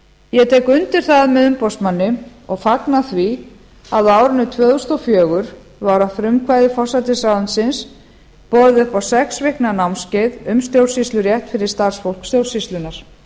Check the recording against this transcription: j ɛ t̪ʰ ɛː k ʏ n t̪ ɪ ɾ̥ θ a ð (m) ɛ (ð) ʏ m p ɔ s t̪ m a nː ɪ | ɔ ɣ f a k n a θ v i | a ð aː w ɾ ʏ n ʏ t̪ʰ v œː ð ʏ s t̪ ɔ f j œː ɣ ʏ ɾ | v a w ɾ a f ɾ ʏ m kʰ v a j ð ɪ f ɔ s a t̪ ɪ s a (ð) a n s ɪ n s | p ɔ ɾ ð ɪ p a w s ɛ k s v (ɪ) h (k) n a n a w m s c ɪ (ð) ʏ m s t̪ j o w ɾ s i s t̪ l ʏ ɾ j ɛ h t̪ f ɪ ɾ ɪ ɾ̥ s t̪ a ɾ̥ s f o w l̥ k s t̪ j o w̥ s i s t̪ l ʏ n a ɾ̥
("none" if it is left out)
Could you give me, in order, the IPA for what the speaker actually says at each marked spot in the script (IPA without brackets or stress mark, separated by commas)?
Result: m, ð, ð, ɪ, k, ð